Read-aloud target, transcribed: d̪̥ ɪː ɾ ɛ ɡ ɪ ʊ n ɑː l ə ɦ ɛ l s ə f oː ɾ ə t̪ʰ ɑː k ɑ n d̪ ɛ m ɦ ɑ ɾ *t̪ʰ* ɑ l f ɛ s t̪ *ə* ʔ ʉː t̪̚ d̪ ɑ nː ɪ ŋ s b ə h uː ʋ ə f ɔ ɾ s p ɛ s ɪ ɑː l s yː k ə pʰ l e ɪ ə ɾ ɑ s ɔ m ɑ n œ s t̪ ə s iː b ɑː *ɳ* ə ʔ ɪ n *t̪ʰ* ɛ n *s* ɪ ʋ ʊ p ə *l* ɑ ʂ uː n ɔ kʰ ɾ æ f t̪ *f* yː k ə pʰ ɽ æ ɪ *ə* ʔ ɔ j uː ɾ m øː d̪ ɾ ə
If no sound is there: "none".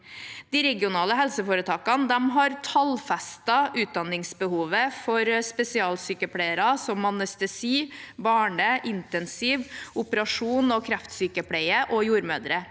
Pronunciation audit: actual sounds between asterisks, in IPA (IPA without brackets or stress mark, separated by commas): t̪ʰ, ɑ, ɳ, t̪, s, ɾ, s, ə